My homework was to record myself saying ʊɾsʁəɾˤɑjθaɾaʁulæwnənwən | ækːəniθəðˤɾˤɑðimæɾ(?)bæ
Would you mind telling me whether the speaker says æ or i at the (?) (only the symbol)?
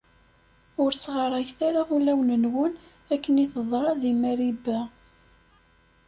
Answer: i